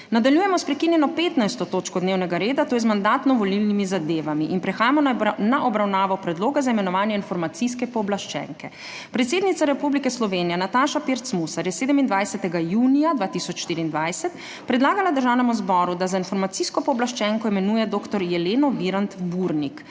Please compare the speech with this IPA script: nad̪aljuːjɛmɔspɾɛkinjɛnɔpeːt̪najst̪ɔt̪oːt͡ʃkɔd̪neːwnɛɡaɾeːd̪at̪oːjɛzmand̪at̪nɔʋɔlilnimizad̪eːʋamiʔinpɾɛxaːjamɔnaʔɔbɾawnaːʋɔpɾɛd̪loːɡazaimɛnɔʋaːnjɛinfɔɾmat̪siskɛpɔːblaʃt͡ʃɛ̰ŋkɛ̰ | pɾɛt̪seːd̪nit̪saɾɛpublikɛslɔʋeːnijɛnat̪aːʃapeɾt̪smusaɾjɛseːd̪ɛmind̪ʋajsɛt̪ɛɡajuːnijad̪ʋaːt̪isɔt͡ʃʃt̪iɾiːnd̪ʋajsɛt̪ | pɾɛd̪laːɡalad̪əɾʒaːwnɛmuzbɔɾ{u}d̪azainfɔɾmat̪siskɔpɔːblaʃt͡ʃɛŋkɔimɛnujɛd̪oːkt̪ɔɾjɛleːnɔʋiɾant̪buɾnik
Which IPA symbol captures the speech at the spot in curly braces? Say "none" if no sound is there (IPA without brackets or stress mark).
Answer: u